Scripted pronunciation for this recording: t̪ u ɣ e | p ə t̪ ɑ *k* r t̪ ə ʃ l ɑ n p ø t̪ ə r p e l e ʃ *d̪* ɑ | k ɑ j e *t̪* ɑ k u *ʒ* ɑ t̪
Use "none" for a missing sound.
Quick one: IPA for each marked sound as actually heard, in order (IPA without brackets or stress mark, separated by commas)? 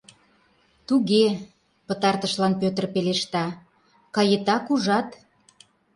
none, t̪, t̪, ʒ